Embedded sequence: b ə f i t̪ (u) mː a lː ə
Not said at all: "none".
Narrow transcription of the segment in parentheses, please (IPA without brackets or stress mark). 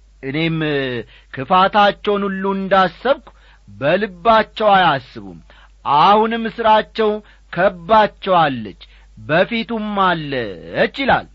u